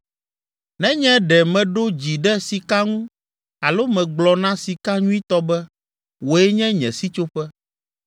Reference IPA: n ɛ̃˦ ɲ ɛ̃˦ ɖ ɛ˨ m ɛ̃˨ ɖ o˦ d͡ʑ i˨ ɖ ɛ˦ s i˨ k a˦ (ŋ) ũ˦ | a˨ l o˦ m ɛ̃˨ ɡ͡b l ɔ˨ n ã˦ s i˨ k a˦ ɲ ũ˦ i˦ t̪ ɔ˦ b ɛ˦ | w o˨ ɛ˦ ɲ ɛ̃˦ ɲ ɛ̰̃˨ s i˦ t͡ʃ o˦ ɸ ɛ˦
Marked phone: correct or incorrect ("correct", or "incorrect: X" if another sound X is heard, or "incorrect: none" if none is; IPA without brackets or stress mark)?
correct